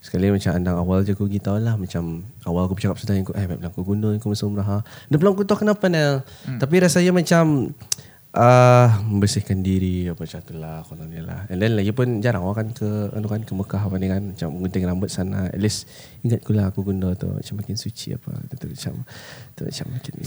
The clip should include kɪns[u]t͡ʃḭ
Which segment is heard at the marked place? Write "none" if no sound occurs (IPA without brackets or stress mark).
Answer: u